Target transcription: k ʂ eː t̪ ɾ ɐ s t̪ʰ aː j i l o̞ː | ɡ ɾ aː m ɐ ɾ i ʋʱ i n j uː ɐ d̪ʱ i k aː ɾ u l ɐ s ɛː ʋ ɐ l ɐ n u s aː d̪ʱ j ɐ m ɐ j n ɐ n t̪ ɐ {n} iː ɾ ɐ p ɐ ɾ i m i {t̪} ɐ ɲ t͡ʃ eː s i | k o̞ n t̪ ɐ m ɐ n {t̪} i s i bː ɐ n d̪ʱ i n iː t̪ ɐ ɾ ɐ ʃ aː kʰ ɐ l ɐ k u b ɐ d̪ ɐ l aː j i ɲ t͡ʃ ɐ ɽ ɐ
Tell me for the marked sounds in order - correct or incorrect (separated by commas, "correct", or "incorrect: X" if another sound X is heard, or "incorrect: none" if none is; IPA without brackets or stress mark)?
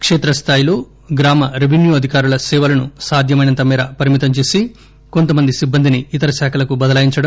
incorrect: m, correct, incorrect: d̪